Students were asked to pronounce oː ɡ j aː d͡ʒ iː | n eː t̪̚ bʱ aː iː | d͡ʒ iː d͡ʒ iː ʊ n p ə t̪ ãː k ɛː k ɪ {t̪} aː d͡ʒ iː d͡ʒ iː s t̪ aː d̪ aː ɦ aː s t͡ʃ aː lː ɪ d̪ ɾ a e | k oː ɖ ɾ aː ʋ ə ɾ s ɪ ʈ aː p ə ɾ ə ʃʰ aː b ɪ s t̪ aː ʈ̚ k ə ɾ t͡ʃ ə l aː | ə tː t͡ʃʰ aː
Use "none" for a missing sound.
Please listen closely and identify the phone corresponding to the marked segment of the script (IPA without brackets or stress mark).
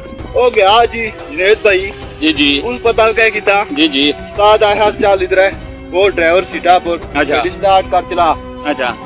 t̪